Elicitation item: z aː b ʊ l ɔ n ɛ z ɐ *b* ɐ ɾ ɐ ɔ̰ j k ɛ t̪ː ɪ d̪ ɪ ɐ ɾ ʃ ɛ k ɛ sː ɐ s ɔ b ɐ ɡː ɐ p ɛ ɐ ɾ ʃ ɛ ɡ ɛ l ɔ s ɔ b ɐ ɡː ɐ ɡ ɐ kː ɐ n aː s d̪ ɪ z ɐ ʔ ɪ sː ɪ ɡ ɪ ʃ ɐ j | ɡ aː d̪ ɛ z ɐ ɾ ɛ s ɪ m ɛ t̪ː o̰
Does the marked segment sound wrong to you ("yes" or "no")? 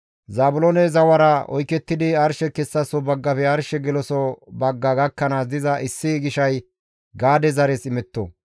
yes